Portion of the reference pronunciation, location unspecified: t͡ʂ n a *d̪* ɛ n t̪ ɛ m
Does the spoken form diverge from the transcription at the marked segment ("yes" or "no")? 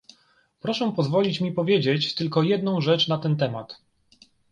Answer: yes